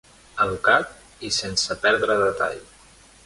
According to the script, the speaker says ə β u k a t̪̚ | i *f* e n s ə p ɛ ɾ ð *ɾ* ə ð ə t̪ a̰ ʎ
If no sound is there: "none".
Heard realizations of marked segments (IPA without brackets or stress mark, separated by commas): s, ɾ